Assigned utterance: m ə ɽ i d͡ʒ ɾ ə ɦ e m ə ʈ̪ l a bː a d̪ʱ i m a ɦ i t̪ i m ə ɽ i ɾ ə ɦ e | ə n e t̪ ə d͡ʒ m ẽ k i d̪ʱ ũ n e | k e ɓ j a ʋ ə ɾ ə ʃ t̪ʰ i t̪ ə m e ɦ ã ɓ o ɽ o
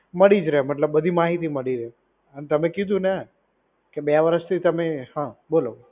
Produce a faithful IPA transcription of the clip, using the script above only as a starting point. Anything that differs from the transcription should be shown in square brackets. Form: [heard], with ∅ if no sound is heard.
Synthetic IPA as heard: m ə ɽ i d͡ʒ ɾ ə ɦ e m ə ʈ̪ l [ə] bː [ə] d̪ʱ i m a ɦ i t̪ i m ə ɽ i ɾ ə ɦ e | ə n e t̪ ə [∅] m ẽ k i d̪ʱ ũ n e | k e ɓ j a ʋ ə ɾ ə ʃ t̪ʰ i t̪ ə m e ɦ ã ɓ o [l] o

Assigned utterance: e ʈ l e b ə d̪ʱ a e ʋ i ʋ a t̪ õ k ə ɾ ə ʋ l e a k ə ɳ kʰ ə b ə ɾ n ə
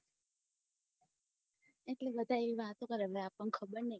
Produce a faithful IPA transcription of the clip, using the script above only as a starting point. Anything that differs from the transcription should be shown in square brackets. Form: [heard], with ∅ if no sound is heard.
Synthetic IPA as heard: e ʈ l e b ə d̪ʱ a e ʋ i ʋ a t̪ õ k ə ɾ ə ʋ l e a [p] ə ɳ kʰ ə b ə ɾ n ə

